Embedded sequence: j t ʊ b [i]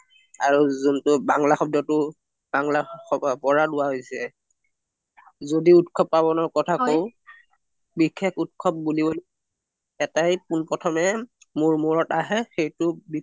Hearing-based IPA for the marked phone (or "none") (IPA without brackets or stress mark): i